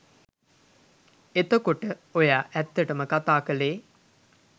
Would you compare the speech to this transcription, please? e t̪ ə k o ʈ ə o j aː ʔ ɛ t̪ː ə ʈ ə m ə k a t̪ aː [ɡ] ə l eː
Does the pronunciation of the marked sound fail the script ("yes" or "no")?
yes